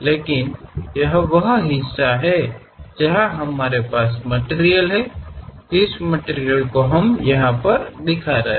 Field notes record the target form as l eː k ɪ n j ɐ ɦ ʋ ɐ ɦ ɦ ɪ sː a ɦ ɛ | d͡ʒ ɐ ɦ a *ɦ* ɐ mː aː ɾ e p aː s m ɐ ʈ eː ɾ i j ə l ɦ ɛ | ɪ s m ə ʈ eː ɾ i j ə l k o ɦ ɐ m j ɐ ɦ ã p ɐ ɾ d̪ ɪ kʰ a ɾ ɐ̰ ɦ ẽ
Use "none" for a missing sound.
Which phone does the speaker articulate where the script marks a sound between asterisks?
ɦ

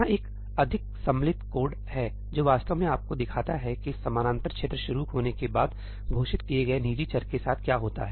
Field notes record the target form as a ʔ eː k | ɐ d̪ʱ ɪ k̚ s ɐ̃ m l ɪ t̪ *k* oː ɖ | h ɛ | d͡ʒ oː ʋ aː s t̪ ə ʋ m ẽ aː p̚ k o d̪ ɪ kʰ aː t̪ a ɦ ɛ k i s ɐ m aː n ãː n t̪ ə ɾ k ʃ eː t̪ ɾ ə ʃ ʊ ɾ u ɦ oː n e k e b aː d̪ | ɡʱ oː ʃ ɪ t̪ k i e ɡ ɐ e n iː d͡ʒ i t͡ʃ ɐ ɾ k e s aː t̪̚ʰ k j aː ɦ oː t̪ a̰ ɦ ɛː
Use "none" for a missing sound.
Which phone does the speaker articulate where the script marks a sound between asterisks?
k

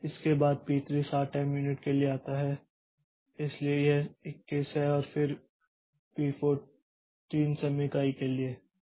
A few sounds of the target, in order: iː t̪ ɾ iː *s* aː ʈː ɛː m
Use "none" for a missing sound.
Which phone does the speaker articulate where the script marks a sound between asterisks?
s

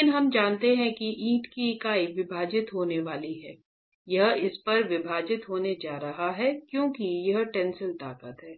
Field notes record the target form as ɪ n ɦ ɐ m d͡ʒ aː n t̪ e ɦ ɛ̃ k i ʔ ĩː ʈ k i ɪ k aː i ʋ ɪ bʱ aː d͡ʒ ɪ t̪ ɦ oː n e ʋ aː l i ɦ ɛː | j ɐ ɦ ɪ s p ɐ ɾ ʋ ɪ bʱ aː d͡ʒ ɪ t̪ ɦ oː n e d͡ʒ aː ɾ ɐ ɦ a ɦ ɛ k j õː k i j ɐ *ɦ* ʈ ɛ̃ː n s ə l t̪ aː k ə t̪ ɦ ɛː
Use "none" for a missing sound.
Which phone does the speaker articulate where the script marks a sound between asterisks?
ɦ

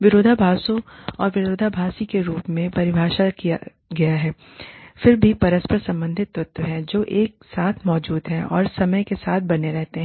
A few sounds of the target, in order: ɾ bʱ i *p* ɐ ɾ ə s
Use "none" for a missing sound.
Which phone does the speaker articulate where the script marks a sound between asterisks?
p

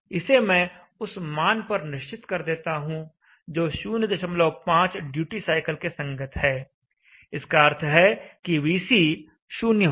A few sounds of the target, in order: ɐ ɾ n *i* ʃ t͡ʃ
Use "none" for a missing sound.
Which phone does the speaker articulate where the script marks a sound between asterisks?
ɪ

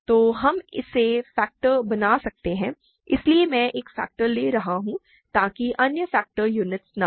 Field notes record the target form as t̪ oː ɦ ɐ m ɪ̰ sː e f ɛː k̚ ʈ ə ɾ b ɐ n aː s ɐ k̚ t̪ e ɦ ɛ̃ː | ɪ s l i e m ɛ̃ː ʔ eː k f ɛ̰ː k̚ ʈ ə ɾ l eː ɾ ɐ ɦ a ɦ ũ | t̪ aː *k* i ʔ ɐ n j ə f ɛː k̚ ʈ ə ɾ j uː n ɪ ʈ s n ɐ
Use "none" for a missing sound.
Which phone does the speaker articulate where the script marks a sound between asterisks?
k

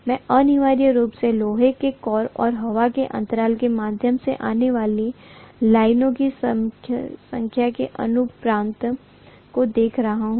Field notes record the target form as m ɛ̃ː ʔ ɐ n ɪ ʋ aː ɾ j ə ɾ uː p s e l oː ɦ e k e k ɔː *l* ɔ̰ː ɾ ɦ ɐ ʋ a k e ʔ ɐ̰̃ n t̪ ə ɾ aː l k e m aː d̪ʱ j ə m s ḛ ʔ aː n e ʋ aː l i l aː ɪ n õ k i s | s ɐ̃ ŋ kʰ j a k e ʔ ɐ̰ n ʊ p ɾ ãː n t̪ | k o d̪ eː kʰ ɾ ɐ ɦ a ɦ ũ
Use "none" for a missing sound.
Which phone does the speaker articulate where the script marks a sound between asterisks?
ɾ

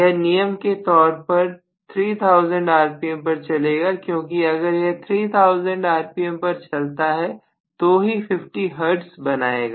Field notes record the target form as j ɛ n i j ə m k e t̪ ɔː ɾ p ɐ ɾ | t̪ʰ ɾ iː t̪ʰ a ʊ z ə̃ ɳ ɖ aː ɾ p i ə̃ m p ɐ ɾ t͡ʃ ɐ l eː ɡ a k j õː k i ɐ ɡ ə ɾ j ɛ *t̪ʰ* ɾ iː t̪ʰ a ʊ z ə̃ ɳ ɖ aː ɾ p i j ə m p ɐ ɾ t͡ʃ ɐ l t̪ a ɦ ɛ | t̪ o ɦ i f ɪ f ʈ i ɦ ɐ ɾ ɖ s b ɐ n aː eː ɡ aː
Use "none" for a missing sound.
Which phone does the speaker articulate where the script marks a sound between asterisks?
t̪ʰ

